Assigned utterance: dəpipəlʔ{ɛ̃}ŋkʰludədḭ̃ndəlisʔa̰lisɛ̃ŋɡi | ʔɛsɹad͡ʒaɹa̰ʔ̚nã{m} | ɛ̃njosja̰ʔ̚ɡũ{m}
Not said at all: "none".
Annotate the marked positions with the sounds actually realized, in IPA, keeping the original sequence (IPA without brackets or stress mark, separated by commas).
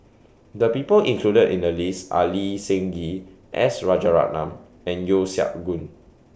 ĩ, m, n